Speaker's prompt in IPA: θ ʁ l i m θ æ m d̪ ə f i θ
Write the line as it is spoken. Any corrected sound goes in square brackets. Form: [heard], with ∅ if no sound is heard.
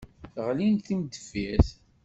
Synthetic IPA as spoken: θ ʁ l i [n] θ [i] m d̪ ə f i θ